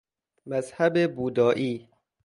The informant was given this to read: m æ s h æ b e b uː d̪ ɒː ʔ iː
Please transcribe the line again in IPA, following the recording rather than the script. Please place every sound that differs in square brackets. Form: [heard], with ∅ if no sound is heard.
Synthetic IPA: m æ [z] h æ b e b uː d̪ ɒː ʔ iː